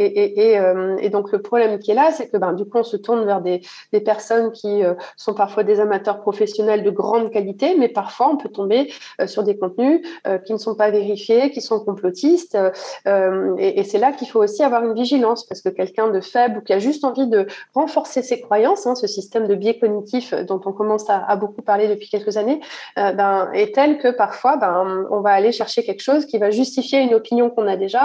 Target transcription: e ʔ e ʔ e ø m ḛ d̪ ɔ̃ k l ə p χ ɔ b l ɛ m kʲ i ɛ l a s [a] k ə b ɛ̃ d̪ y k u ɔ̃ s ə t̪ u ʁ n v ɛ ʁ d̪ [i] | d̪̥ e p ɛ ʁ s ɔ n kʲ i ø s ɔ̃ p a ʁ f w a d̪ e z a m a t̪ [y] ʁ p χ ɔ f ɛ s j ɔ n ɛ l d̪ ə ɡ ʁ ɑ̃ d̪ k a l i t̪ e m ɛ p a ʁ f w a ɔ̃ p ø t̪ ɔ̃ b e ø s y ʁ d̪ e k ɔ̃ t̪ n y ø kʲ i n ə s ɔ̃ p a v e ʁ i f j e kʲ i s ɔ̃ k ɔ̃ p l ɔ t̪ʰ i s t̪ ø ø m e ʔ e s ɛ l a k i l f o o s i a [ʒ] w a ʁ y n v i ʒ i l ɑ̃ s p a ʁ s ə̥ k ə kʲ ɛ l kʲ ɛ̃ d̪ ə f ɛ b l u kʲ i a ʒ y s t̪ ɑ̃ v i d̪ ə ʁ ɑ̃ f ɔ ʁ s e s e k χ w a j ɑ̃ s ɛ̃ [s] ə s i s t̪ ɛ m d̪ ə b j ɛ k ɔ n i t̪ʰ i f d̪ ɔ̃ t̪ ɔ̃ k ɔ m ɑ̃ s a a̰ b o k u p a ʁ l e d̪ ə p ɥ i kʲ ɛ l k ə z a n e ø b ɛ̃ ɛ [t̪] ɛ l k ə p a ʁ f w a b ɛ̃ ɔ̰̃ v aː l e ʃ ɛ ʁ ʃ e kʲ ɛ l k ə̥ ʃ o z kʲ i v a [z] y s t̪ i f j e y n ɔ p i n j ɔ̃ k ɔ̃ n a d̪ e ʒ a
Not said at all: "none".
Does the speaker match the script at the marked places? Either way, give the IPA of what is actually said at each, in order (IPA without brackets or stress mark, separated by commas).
ɛ, e, œ, v, s, t̪, ʒ